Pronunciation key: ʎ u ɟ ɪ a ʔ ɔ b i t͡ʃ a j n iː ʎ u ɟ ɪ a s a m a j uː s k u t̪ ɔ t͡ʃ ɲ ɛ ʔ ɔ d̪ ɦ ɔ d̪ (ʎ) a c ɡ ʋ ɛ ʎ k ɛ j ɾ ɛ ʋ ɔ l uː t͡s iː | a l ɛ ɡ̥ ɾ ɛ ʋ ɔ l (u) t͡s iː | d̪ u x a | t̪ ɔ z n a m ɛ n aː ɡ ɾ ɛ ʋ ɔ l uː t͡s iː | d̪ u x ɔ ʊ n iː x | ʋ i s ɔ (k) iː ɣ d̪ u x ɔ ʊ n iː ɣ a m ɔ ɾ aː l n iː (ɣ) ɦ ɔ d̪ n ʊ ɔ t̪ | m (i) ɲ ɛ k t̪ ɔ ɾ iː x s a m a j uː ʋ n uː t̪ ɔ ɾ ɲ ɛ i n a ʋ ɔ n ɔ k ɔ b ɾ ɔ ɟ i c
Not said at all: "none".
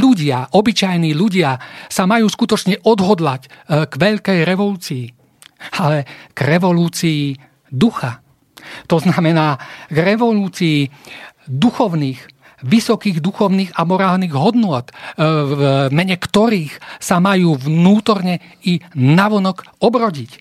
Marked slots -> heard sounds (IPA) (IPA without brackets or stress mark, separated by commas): l, uː, k, ɣ, ɛ